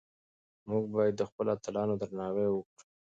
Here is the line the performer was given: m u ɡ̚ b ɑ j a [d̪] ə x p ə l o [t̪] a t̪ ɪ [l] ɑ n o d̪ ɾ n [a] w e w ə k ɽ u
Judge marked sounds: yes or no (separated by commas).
no, no, yes, no